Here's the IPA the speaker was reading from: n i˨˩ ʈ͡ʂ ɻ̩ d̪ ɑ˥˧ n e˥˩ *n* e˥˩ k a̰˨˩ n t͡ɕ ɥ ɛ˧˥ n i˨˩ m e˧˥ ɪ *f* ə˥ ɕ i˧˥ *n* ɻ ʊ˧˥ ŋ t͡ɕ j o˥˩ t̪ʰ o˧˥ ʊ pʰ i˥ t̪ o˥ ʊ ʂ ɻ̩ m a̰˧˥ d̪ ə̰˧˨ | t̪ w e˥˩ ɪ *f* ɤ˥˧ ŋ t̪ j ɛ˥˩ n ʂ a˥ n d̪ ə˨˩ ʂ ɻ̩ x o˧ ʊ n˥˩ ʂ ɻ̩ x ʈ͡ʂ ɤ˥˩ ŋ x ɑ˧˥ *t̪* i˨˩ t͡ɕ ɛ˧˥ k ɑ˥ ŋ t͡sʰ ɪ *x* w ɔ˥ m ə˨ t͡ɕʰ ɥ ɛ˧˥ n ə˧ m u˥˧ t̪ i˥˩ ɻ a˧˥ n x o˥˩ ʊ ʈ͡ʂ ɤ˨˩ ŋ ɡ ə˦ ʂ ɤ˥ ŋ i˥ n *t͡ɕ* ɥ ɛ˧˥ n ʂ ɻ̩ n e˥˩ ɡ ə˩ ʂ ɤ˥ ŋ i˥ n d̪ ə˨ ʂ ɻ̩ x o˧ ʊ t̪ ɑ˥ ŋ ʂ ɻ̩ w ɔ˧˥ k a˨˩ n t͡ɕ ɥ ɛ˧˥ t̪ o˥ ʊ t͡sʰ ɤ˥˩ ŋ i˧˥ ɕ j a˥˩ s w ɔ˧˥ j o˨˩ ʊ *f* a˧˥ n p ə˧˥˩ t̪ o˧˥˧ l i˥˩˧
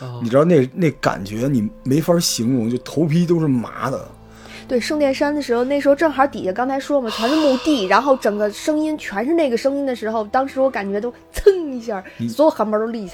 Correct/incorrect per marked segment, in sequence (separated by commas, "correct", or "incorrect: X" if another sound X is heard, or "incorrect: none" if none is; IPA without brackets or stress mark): correct, correct, incorrect: ŋ, incorrect: ʂ, correct, incorrect: ʂ, incorrect: t͡ɕʰ, incorrect: x